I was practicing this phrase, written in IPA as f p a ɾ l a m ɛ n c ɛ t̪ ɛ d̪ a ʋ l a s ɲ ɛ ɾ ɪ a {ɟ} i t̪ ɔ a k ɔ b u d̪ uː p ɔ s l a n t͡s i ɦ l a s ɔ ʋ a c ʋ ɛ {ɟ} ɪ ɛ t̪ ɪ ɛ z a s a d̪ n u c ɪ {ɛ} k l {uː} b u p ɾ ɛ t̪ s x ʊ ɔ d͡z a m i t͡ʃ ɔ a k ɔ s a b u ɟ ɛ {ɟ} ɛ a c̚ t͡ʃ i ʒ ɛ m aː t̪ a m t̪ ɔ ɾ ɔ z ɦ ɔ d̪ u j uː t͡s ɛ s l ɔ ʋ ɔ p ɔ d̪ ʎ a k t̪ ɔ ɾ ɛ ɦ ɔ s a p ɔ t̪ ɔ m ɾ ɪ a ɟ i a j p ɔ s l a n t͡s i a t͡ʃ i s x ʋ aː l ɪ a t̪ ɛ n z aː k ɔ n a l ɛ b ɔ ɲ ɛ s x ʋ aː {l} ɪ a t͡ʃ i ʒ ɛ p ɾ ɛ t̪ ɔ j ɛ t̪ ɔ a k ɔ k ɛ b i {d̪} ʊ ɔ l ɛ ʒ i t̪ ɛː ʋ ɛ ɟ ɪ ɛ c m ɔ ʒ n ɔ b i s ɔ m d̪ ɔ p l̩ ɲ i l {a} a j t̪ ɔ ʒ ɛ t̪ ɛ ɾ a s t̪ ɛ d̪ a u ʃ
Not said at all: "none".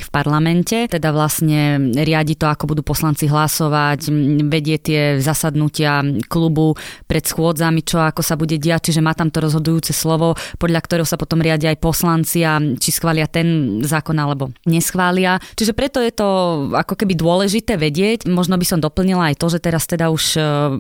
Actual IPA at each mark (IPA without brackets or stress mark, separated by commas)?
ɟ, ɟ, a, u, ɟ, l, d̪, a